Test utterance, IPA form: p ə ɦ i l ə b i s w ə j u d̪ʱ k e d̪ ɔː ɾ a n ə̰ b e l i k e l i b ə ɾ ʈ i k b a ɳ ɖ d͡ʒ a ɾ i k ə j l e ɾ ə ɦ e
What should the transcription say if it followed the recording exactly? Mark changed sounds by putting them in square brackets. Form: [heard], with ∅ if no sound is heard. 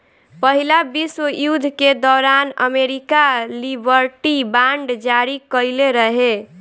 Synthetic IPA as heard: p ə ɦ i l [a] b i s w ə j u d̪ʱ k e d̪ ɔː ɾ a n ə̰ [m] e [ɾ] i k [a] l i b ə ɾ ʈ i [∅] b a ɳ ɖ d͡ʒ a ɾ i k ə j l e ɾ ə ɦ e